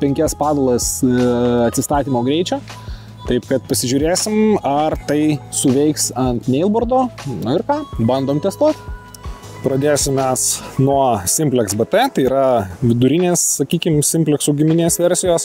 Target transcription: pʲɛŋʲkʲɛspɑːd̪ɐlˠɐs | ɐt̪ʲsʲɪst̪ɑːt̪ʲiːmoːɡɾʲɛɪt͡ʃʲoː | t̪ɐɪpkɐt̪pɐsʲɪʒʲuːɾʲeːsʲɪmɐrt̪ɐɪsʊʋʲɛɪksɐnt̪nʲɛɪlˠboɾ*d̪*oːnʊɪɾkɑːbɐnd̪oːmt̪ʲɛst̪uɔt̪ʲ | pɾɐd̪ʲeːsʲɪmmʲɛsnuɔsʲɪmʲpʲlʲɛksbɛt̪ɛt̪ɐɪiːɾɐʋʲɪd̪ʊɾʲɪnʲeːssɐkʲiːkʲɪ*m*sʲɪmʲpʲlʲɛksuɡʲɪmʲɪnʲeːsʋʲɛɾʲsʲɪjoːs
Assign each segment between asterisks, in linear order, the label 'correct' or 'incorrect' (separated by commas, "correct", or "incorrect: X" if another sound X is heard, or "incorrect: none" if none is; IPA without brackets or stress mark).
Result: correct, correct